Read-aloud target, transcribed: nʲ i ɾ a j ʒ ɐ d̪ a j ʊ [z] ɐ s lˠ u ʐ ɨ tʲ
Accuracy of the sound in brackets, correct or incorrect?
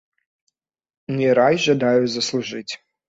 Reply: correct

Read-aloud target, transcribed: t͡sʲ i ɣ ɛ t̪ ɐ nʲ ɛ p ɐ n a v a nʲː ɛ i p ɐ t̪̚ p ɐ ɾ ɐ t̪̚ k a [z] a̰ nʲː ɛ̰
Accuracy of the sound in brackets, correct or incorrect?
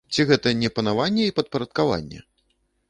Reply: incorrect: v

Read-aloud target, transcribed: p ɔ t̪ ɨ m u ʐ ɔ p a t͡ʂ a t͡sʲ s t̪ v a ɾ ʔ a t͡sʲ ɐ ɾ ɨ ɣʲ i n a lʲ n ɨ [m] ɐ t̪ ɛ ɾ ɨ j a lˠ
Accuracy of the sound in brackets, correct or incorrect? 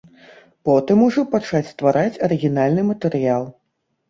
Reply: correct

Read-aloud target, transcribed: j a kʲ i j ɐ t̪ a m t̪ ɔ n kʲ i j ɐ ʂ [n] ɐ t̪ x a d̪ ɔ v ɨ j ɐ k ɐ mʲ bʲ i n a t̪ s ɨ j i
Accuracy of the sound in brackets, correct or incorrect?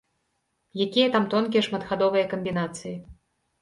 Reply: incorrect: m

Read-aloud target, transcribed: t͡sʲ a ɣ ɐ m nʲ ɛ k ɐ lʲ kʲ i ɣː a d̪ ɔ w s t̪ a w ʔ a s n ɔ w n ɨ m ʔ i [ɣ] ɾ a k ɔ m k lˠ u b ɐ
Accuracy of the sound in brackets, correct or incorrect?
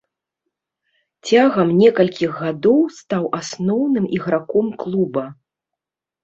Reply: correct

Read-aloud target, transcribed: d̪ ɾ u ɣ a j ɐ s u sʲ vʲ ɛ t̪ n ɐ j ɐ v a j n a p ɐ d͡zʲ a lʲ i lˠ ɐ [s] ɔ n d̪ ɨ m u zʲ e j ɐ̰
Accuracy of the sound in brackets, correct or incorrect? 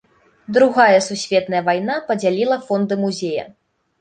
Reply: incorrect: f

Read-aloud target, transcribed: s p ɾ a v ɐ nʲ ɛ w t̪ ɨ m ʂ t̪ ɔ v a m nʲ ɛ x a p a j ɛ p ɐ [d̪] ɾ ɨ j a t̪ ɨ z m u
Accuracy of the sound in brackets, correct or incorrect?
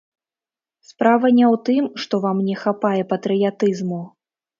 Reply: incorrect: t̪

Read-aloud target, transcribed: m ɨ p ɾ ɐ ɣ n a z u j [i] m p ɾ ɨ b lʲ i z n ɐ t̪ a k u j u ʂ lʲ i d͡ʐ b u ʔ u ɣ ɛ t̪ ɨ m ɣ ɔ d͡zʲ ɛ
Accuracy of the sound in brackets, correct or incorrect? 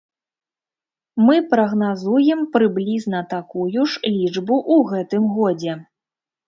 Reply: incorrect: ɛ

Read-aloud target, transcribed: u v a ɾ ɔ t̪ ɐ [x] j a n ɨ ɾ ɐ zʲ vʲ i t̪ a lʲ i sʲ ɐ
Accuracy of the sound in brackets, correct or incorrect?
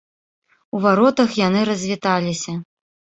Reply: correct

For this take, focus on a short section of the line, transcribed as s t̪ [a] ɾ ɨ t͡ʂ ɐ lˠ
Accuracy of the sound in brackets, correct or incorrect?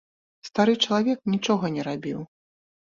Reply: correct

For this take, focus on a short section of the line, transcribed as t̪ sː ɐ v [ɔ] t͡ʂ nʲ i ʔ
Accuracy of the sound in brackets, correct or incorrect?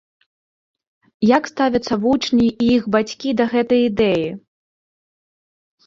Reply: incorrect: u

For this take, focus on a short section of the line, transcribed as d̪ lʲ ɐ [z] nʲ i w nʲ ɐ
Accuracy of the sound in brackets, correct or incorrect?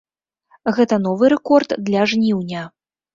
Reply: incorrect: ʐ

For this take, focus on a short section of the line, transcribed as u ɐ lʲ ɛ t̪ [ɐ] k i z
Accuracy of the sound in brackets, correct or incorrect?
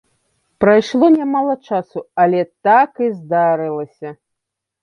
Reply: incorrect: a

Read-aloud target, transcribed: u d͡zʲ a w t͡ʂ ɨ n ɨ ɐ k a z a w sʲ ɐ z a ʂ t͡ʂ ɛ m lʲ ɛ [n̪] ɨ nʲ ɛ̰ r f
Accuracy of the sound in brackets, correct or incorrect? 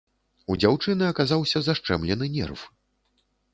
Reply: correct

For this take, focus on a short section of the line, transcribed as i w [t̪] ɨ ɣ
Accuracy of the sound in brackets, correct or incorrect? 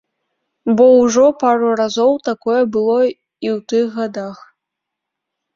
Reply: correct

